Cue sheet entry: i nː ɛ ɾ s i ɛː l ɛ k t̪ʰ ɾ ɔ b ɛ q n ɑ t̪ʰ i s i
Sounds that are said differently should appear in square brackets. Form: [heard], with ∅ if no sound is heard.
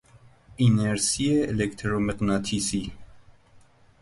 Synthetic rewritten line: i [n] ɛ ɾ s i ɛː l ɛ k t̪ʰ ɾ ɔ [m] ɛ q n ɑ t̪ʰ i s i

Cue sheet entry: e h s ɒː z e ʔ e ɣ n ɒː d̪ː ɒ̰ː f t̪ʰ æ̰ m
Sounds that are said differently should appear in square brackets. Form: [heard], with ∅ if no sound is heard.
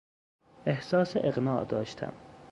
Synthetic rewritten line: e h s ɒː [s] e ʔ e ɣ n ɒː [d̪] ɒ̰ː [ʃ] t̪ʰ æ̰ m

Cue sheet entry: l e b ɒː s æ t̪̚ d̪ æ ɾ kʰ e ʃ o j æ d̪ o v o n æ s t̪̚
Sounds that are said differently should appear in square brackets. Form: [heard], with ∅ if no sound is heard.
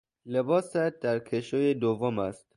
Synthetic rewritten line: l e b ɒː s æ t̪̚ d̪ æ ɾ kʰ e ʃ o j [e] d̪ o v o [m] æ s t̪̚

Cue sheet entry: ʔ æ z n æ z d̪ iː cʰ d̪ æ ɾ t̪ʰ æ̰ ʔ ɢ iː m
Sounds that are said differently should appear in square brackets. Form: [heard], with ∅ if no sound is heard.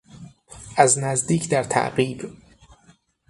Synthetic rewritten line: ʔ æ z n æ z d̪ iː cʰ d̪ æ ɾ t̪ʰ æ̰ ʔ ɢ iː [b]

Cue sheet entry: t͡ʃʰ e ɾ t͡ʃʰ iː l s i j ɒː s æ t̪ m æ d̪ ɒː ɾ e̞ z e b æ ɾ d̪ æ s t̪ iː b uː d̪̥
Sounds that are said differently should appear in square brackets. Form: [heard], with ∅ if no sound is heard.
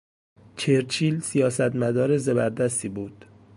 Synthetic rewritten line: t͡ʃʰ e ɾ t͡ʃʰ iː l s i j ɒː s æ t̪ m æ d̪ ɒː ɾ e̞ z e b æ ɾ d̪ æ s t̪ iː b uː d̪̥

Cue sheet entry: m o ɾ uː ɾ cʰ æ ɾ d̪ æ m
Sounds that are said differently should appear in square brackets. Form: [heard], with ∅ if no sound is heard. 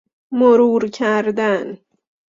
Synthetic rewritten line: m o ɾ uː ɾ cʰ æ ɾ d̪ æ [n]

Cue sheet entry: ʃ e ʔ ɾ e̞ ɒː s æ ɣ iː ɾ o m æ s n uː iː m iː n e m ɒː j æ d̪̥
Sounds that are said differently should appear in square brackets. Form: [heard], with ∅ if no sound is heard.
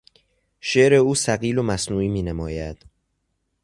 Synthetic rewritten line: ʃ e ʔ ɾ e̞ [uː] s æ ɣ iː [l] o m æ s n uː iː m iː n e m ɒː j æ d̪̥

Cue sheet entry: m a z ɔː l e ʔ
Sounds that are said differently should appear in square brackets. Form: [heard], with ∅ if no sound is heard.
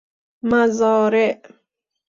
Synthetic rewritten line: m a z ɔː [ɾ] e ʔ

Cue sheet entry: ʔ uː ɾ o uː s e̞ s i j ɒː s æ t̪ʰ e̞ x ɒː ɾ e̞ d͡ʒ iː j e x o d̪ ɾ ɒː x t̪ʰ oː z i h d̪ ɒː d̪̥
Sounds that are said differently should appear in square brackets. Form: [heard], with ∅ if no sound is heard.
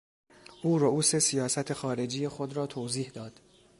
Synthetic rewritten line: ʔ uː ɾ o uː s e̞ s i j ɒː s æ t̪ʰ e̞ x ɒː ɾ e̞ d͡ʒ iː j e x o d̪ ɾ ɒː [∅] t̪ʰ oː z [iː] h d̪ ɒː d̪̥

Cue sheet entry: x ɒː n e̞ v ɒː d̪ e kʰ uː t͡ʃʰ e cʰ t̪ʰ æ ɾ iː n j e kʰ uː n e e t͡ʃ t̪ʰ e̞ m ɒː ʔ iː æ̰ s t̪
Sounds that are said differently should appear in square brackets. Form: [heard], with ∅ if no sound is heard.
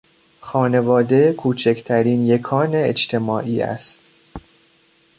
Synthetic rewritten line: x ɒː n e̞ v ɒː d̪ e kʰ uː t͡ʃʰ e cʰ t̪ʰ æ ɾ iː n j e kʰ [ɒː] n e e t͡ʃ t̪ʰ e̞ m ɒː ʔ iː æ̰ s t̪

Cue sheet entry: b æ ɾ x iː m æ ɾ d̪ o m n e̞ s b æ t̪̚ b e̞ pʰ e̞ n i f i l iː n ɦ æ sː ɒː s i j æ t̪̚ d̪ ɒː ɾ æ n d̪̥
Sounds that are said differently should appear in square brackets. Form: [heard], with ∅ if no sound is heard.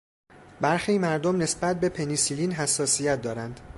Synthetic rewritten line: b æ ɾ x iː m æ ɾ d̪ o m n e̞ s b æ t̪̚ b e̞ pʰ e̞ n i [s] i l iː n ɦ æ sː ɒː s i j æ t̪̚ d̪ ɒː ɾ æ n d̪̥

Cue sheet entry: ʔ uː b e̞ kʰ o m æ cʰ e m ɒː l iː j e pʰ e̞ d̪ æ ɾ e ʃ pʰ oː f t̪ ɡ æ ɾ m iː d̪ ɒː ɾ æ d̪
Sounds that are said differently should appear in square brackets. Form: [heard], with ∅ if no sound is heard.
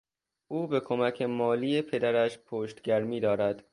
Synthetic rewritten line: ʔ uː b e̞ kʰ o m æ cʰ e m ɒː l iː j e pʰ e̞ d̪ æ ɾ [æ] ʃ pʰ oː [ʃ] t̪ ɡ æ ɾ m iː d̪ ɒː ɾ æ d̪

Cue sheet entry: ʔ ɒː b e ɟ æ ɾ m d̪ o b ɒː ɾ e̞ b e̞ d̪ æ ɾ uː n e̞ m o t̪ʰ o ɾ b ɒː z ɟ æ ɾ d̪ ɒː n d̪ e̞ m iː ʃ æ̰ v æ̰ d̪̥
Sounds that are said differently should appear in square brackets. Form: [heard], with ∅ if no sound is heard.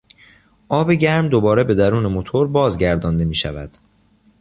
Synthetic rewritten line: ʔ ɒː b e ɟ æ ɾ m d̪ o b ɒː ɾ e̞ b e̞ d̪ æ ɾ uː n e̞ m o t̪ʰ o ɾ b ɒː z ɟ æ ɾ d̪ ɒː n d̪ e̞ m iː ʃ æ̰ v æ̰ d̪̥

